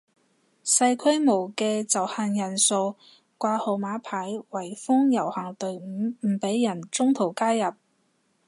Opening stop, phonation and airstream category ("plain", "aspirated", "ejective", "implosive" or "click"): aspirated